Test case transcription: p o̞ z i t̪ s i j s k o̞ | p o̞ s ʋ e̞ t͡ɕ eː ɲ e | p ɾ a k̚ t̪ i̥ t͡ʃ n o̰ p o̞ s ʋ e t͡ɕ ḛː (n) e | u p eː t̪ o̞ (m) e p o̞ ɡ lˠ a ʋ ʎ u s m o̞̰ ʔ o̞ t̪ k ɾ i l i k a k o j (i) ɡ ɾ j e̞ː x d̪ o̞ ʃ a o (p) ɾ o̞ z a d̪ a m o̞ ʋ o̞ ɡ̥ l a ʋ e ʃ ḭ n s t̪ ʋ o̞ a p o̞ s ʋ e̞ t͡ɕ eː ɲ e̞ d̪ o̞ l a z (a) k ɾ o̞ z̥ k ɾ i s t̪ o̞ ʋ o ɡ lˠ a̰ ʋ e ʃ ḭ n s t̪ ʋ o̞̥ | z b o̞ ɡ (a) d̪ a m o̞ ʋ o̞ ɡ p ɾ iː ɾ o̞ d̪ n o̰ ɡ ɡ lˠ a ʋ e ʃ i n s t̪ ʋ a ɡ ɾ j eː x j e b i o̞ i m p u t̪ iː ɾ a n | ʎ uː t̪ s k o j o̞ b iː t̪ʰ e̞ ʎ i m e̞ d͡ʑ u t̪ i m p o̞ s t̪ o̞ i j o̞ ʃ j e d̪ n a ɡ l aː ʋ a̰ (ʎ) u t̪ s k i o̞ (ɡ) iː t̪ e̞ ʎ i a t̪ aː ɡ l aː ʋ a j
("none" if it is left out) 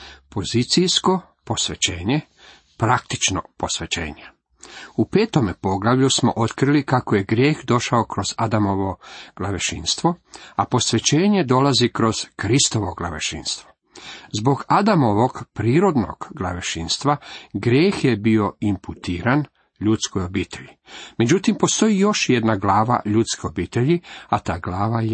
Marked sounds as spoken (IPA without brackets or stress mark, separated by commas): ɲ, m, e, k, i, a, ʎ, b